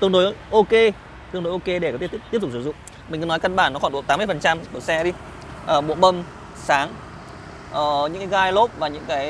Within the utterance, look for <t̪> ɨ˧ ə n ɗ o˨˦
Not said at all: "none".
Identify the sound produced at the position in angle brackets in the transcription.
t̪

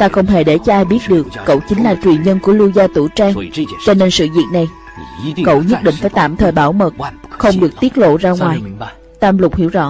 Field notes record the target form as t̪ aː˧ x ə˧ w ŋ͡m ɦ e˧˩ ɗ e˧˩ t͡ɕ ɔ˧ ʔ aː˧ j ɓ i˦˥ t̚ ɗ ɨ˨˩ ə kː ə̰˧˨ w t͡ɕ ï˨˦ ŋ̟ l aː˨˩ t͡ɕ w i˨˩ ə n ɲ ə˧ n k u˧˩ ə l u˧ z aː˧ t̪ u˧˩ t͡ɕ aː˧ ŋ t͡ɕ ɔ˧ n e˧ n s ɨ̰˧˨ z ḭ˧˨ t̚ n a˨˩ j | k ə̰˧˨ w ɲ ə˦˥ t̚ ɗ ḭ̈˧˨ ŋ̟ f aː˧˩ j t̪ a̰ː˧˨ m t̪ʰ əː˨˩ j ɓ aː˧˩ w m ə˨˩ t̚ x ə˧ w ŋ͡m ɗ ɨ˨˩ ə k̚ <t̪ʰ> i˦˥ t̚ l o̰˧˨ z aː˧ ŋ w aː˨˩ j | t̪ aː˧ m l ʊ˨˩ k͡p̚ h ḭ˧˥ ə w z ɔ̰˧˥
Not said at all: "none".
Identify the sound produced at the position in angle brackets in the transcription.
t̪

